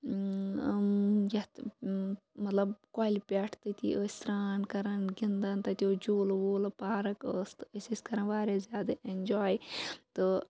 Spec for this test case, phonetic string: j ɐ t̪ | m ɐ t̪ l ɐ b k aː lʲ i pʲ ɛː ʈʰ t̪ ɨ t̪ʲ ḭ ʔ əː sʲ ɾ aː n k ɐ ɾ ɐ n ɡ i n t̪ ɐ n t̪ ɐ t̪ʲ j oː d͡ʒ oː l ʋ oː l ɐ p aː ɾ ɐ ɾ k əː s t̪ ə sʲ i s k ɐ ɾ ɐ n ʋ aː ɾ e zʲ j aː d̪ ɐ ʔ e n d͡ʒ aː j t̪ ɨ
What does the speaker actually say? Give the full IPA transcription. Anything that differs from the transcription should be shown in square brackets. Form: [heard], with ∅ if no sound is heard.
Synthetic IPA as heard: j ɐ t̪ | m ɐ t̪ l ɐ b k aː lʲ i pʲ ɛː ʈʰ t̪ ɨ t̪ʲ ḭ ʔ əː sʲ ɾ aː n k ɐ ɾ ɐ n ɡ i n [d̪] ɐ n t̪ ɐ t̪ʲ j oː d͡ʒ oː l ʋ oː l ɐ p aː ɾ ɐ [∅] k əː s t̪ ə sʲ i s k ɐ ɾ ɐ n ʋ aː ɾ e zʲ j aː d̪ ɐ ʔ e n d͡ʒ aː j t̪ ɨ